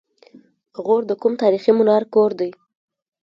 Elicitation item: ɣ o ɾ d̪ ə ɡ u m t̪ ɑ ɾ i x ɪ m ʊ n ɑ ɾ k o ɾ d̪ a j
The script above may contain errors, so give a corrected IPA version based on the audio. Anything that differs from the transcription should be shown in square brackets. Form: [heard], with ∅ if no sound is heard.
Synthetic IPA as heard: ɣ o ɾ d̪ ə [k] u m t̪ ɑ ɾ i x [i] m ʊ n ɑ ɾ k o ɾ d̪ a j

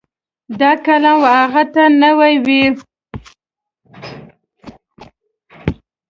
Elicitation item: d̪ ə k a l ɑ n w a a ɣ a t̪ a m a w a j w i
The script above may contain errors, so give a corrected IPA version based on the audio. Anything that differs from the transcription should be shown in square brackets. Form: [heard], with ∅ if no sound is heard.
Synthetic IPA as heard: d̪ [ɑ] k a l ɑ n w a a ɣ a t̪ a [n] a w a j w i

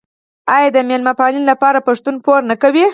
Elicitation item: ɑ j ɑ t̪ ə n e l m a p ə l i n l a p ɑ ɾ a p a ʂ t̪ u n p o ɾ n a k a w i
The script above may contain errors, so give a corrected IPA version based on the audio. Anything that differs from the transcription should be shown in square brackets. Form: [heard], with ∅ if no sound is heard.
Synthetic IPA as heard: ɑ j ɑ [d̪] ə [m] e l m a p [ɑ] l i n l a p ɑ ɾ a p a ʂ t̪ u n p o ɾ n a k a w i

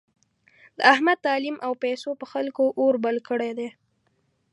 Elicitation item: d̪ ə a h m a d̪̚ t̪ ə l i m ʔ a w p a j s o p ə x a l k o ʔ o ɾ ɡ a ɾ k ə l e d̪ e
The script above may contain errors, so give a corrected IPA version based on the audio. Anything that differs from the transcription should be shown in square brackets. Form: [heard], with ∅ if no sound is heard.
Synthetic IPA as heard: d̪ ə a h m a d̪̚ t̪ [ɑ] l i m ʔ a w p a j s o p ə x a l k o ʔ o ɾ [b] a [l] k ə [ɽ] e d̪ e

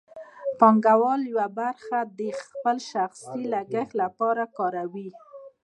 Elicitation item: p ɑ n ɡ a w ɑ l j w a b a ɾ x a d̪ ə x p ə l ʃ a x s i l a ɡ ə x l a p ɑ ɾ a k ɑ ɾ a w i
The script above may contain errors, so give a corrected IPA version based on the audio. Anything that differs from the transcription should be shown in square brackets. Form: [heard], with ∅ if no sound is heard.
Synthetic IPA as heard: p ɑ [ŋ] ɡ a w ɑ l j w a b a ɾ x a d̪ ə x p ə l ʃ a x s i l a ɡ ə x l a p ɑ ɾ a k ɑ ɾ a w i

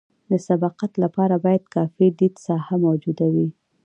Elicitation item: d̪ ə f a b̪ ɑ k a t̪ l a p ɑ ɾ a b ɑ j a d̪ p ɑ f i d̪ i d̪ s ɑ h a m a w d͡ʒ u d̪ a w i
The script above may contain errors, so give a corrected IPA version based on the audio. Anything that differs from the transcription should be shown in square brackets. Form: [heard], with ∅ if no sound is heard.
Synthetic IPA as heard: d̪ ə [s] a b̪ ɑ [q] a t̪ l a p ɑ ɾ a b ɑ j a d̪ [k] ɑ f i d̪ i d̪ s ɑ h a m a w d͡ʒ u d̪ a w i

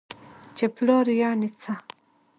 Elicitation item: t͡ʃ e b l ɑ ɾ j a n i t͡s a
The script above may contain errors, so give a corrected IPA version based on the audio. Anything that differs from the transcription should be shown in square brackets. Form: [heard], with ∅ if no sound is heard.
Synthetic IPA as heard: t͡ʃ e [p] l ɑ ɾ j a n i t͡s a

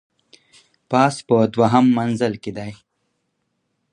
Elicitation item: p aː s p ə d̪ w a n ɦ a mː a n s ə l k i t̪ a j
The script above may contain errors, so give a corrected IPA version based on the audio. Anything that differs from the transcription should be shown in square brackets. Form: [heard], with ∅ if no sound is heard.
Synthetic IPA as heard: p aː s p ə d̪ w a [∅] ɦ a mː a n [z] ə l k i [d̪] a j

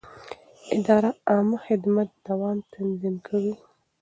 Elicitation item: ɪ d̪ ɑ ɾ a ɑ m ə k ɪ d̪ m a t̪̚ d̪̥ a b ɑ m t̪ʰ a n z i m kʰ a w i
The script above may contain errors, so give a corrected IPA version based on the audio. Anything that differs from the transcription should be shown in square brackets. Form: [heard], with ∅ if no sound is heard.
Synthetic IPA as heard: ɪ d̪ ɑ ɾ a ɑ m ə [x] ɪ d̪ m a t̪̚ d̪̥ a [w] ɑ m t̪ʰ a n z i m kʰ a w i

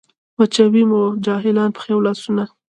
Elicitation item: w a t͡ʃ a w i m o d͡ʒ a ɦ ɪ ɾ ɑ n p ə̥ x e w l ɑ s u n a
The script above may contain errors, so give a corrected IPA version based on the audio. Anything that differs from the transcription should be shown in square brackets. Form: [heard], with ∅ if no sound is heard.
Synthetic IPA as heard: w a t͡ʃ a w i m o d͡ʒ [ɑ] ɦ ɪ [l] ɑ n p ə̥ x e w l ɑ s u n a

